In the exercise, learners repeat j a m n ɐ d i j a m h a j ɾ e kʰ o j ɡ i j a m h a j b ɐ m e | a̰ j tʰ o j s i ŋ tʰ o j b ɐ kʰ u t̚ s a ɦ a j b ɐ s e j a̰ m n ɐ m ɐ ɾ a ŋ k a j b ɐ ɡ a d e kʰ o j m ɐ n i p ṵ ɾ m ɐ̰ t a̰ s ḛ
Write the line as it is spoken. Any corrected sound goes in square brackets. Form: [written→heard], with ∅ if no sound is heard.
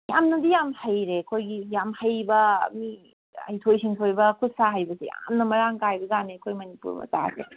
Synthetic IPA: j a m n ɐ d i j a m h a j ɾ e kʰ o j ɡ i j a m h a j b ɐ m [e→i] | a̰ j tʰ o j s i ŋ tʰ o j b ɐ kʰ u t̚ s a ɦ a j b ɐ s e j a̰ m n ɐ m ɐ ɾ a ŋ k a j b ɐ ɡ a [d→n] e kʰ o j m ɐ n i p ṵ ɾ m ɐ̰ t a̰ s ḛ